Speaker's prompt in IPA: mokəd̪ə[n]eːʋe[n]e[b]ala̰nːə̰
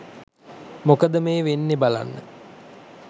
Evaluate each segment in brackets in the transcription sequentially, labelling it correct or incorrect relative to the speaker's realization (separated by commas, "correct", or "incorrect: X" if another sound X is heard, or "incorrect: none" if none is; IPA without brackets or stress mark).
incorrect: m, incorrect: nː, correct